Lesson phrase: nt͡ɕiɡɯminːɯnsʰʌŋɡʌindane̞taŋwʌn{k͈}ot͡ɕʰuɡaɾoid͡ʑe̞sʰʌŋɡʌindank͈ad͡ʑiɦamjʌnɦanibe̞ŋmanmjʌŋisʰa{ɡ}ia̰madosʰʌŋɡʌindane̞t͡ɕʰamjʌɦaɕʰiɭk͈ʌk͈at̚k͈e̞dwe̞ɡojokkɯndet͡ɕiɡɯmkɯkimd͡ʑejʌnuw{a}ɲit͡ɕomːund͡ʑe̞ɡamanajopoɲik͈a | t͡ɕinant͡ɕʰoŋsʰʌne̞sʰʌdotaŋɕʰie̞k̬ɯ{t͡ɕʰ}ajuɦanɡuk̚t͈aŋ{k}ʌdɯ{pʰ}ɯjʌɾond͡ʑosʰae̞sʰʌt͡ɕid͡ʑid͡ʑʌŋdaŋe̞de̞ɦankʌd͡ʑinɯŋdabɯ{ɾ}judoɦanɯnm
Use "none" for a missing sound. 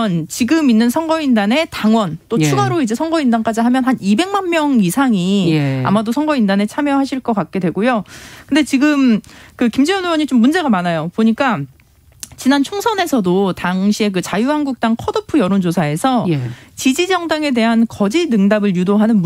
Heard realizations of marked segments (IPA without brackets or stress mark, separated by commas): t͈, ŋ, ʌ, t͡ɕ, kʰ, pʰ, ɭ